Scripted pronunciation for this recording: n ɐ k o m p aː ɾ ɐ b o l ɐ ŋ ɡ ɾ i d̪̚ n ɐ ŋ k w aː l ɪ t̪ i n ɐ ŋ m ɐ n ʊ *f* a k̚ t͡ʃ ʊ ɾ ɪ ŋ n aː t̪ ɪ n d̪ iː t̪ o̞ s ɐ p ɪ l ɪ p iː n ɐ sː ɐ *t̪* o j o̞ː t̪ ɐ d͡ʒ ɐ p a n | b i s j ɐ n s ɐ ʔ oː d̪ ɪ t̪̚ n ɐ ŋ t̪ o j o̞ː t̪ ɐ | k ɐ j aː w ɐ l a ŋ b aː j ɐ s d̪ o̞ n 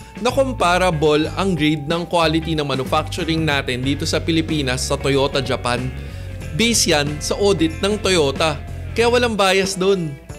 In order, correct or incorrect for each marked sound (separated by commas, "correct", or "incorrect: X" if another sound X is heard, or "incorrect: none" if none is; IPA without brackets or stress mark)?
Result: correct, correct